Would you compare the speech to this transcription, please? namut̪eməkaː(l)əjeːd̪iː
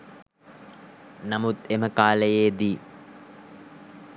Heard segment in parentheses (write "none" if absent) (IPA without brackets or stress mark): l